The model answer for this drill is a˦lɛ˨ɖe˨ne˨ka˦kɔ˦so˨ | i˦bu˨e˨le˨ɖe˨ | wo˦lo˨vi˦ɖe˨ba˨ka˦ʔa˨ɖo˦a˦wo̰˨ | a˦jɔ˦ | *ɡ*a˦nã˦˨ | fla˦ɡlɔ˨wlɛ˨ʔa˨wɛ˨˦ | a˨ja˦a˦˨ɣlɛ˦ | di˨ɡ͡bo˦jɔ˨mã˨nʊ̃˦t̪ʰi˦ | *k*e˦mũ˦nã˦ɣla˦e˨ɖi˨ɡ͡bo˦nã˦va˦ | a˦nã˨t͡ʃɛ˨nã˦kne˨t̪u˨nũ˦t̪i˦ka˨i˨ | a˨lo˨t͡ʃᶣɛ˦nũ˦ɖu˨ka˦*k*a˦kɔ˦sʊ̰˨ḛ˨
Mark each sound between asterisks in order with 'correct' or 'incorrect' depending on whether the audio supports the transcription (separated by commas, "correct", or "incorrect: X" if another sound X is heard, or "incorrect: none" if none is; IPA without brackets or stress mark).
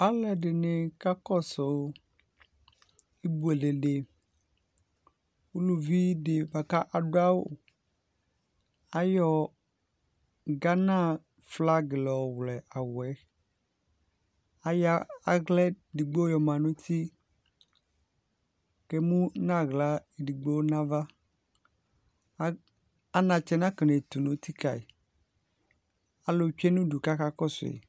correct, correct, correct